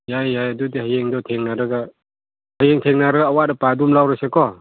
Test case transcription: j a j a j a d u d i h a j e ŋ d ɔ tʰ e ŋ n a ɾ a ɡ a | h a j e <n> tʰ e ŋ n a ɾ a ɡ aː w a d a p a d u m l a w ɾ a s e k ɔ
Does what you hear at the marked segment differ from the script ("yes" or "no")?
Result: yes